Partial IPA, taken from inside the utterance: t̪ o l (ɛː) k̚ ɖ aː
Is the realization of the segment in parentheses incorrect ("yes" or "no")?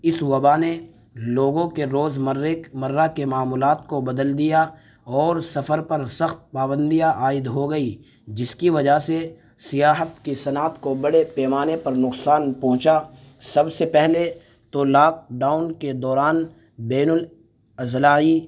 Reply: yes